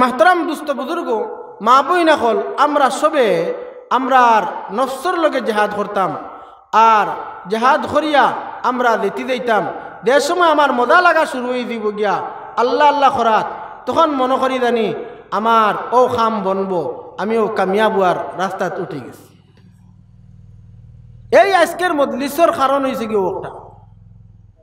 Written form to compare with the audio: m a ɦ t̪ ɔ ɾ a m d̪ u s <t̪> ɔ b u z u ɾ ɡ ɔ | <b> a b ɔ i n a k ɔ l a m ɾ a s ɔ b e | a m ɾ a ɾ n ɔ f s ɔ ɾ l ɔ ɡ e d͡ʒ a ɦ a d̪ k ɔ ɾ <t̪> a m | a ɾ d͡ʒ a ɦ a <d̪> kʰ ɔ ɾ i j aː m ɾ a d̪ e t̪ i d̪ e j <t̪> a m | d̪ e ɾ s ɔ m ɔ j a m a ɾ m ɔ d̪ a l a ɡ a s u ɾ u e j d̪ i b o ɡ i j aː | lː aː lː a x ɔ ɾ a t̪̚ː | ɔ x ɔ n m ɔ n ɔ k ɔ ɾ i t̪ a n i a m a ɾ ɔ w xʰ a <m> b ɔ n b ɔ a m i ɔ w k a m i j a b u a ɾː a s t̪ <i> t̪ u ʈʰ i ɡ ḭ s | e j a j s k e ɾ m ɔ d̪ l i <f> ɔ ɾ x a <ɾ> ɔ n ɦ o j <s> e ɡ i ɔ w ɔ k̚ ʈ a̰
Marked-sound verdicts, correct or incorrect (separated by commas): correct, incorrect, correct, correct, correct, correct, incorrect, incorrect, correct, correct